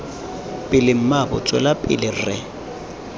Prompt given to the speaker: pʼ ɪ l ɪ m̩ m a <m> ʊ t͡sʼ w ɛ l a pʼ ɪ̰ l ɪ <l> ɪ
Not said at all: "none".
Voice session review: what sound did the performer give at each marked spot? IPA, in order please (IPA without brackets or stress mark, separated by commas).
b, r